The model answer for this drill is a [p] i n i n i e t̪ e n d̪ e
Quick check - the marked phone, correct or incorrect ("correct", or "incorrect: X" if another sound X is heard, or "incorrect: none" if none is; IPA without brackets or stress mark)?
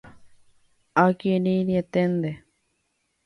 incorrect: k